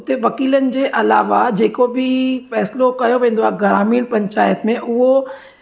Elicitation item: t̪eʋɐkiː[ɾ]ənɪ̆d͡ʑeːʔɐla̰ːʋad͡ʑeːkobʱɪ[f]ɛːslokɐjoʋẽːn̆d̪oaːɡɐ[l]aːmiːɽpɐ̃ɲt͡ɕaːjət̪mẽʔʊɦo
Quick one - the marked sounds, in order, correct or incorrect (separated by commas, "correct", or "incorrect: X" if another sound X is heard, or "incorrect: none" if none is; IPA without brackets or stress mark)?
incorrect: l, correct, incorrect: ɾ